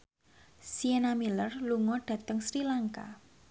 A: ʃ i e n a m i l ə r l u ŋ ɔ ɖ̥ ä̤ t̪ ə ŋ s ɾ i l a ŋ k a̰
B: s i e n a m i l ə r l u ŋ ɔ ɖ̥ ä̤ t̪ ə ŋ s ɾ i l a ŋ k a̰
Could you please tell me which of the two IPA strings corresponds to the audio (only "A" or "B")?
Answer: B